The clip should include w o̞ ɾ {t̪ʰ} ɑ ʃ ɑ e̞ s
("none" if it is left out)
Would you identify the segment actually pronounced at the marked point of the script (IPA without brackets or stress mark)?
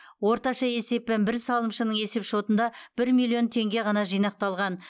t̪